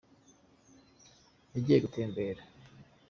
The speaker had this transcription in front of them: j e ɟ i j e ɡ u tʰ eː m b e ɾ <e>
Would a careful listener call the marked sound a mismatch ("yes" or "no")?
yes